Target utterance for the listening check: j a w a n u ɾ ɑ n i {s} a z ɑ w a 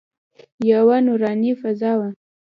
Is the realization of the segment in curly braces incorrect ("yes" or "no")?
yes